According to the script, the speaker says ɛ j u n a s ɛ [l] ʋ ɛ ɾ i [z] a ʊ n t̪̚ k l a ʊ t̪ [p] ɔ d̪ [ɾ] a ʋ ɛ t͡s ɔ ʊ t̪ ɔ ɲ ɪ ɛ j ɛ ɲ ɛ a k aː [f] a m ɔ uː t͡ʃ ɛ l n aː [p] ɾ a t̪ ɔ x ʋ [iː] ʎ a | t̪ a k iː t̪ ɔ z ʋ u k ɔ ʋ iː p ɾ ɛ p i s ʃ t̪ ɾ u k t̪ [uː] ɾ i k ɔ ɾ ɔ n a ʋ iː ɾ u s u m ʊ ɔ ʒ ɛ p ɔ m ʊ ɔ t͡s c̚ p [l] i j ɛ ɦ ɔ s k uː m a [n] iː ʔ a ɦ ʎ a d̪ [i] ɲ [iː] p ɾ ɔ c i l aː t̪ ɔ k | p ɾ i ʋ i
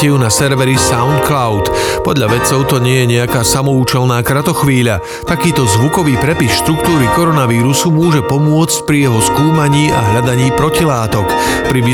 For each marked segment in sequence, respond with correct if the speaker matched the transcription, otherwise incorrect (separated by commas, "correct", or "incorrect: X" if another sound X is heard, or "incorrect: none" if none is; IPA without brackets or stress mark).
incorrect: ɾ, incorrect: s, correct, incorrect: ʎ, incorrect: s, incorrect: k, correct, correct, incorrect: ɾ, incorrect: ɲ, incorrect: a, correct